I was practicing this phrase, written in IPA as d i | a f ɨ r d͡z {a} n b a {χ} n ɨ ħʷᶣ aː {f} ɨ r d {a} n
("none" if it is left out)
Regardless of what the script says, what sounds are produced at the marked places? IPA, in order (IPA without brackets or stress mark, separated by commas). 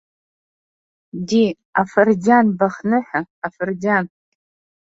a, χ, f, a